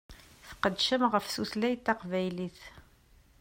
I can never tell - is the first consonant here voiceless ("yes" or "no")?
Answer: yes